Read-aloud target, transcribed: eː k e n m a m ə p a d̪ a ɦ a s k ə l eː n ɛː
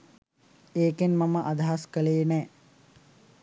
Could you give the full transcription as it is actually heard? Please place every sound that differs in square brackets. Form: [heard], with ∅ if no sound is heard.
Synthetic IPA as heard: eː k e n m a m ə [ʔ] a d̪ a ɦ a s k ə l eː n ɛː

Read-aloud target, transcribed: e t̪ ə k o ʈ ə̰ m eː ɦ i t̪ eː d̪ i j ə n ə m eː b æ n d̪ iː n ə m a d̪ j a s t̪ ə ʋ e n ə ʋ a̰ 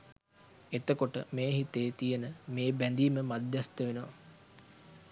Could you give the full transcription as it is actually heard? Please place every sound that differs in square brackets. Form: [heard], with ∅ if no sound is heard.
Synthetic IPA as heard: e t̪ ə k o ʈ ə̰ m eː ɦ i t̪ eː [t̪] i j ə n ə m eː b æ n d̪ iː [m] ə m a d̪ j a s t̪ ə ʋ e n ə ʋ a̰

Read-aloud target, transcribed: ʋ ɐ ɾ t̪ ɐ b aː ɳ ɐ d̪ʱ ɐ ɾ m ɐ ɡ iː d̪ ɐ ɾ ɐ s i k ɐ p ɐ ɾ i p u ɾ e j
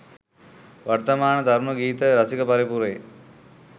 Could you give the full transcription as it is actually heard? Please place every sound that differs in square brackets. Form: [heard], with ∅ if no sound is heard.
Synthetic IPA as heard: ʋ ɐ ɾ t̪ ɐ [m] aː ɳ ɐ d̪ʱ ɐ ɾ m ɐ ɡ iː [t̪] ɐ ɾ ɐ s i k ɐ p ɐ ɾ i p u ɾ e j

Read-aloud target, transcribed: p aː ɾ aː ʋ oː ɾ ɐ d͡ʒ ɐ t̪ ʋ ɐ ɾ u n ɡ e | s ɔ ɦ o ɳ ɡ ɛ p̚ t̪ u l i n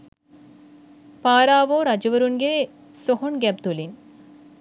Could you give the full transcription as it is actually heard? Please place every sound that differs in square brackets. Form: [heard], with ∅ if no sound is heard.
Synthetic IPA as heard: p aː ɾ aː ʋ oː ɾ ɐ d͡ʒ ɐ [∅] ʋ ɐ ɾ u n ɡ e | s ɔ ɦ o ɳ ɡ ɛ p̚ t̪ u l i n

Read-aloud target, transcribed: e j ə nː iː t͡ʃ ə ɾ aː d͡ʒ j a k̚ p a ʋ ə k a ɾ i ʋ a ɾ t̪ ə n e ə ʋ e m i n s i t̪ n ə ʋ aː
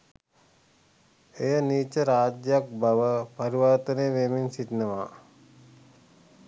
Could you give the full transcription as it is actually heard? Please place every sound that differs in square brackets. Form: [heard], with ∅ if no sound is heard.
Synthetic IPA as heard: e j ə [n] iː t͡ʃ ə ɾ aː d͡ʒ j a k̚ [b] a ʋ ə [p] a ɾ i ʋ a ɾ t̪ ə n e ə ʋ e m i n s i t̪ n ə ʋ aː

